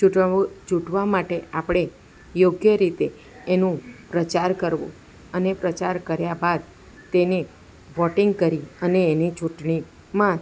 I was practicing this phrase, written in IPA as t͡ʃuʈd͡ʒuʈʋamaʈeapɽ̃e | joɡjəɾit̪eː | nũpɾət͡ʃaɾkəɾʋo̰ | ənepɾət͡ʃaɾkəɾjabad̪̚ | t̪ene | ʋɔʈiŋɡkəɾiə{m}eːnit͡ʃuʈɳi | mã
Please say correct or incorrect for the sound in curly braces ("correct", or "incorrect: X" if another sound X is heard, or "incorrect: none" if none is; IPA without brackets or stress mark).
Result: incorrect: n